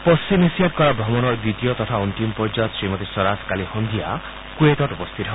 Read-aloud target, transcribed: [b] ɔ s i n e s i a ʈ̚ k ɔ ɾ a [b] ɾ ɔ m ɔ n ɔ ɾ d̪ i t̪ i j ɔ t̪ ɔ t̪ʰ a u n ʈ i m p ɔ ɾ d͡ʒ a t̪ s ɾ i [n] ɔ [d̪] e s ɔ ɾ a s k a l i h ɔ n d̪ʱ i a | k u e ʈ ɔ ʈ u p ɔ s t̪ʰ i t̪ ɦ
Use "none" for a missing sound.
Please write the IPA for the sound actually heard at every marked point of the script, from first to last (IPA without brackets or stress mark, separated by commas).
p, b, m, t̪